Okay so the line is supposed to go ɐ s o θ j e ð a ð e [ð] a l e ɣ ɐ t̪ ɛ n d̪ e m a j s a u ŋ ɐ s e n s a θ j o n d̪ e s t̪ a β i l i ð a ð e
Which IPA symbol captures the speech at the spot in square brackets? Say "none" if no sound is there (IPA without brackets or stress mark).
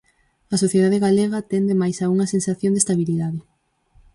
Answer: ɣ